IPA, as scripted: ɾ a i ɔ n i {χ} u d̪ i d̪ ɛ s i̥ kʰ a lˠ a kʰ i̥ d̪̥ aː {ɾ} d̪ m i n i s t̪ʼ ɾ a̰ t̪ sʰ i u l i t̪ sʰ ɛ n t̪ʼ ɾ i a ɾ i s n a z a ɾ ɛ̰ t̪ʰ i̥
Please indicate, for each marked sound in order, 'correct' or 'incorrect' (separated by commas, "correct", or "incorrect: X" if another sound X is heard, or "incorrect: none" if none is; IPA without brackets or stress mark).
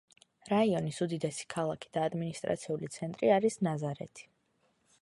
incorrect: s, incorrect: none